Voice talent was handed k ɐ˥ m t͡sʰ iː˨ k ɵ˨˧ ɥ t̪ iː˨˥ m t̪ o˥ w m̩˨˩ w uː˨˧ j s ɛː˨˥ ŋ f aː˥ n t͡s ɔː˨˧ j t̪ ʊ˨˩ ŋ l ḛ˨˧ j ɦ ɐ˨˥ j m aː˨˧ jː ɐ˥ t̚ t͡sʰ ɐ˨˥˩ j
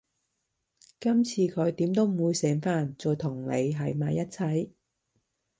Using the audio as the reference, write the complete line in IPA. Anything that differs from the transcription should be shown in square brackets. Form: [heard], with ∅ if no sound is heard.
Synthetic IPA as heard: k ɐ˥ m t͡sʰ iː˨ [kʰ] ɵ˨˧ ɥ t̪ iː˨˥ m t̪ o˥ w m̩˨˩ w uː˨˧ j s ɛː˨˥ ŋ f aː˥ n t͡s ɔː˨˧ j [t̪ʰ] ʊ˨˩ ŋ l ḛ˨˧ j ɦ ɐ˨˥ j m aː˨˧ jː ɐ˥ t̚ t͡sʰ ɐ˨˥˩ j